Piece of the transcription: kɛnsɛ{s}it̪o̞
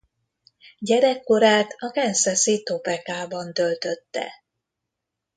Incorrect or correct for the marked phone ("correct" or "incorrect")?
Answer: correct